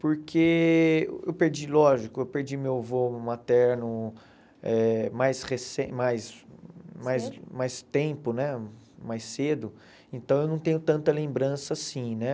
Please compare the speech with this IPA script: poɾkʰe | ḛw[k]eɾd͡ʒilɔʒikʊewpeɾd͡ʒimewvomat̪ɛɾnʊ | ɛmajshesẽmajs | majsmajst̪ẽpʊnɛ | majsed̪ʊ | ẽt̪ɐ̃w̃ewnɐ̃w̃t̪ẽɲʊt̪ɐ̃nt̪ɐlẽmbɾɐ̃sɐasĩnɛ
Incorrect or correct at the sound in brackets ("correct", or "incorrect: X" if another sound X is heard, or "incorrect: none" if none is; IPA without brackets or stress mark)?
incorrect: p